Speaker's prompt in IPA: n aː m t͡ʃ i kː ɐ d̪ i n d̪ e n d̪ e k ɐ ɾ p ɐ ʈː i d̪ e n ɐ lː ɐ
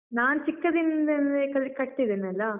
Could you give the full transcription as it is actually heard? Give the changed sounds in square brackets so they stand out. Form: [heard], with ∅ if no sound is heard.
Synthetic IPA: n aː [n] t͡ʃ i kː ɐ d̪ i n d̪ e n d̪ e k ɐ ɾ [k] ɐ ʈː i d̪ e n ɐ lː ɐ